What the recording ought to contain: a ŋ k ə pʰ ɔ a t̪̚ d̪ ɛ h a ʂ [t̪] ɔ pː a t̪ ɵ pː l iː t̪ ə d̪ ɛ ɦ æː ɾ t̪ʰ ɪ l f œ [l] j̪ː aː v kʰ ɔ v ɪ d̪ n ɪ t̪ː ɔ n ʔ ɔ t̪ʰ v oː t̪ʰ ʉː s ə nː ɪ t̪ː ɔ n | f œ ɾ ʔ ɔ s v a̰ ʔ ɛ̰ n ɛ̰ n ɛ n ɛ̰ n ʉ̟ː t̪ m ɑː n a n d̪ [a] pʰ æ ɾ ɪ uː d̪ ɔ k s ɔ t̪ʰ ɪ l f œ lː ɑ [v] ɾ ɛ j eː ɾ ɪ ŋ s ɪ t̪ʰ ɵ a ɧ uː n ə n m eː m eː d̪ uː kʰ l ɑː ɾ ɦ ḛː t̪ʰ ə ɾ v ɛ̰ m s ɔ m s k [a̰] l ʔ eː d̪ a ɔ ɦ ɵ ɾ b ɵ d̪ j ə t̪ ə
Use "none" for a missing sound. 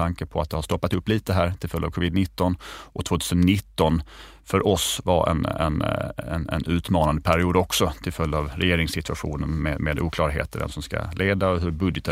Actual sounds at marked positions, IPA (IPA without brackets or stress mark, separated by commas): t̪, l, ə, v, a̰